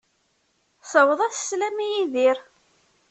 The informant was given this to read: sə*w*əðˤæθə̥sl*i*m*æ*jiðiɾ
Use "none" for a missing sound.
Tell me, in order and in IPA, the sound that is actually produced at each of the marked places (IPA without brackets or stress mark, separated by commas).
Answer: w, æ, i